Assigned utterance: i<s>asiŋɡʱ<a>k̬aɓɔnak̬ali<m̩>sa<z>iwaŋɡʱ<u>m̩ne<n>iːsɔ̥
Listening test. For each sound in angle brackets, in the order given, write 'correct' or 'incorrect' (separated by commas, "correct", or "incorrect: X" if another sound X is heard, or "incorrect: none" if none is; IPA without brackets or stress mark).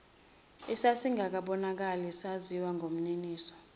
correct, correct, incorrect: none, correct, incorrect: o, correct